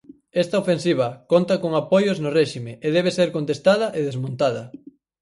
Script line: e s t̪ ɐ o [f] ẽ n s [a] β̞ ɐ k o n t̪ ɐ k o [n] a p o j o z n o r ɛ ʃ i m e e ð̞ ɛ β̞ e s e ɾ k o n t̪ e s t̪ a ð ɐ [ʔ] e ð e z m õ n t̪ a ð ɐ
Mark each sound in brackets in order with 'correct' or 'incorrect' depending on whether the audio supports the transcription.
correct, incorrect, incorrect, correct

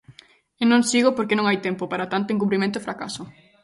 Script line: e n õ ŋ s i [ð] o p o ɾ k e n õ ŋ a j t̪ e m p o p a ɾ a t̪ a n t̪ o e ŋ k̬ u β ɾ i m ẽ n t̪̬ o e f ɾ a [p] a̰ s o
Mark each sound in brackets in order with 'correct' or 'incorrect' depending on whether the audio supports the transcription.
incorrect, incorrect

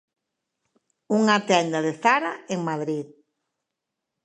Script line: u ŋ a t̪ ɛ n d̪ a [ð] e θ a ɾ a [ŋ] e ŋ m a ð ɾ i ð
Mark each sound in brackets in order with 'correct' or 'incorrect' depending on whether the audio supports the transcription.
correct, incorrect

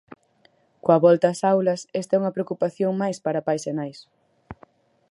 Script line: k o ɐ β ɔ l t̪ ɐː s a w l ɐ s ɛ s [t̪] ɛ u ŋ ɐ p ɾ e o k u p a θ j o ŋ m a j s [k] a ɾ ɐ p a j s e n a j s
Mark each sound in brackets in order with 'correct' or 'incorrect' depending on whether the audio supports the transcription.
correct, incorrect

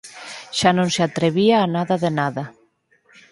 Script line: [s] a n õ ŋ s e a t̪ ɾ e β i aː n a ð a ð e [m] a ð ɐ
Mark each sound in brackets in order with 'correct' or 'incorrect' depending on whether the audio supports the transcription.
incorrect, incorrect

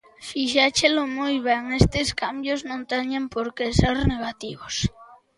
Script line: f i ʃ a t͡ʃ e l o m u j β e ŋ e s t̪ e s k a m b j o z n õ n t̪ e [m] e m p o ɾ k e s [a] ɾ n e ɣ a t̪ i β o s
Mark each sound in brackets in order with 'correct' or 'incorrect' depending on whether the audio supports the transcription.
incorrect, incorrect

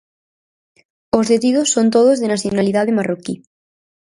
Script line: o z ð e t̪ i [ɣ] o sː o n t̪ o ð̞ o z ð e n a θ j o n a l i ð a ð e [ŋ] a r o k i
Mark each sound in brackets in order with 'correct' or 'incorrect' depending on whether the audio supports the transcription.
incorrect, incorrect

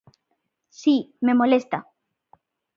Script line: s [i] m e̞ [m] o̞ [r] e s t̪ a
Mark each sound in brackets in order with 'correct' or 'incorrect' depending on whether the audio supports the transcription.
correct, correct, incorrect

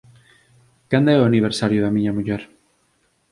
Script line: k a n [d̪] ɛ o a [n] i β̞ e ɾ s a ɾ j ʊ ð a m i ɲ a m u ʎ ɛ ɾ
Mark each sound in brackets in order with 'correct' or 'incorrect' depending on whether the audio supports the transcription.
correct, correct

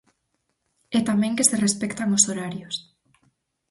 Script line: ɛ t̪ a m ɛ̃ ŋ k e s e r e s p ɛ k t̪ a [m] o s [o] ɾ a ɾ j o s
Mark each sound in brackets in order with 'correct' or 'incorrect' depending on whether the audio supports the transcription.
incorrect, correct

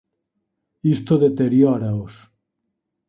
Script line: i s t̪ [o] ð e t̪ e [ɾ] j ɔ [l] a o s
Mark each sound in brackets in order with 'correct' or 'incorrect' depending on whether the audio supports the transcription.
correct, correct, incorrect

